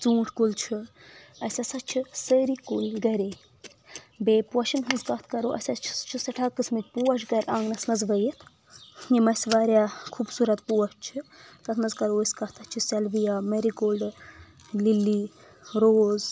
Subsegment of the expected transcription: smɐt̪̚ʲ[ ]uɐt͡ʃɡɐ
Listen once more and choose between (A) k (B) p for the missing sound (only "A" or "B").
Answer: B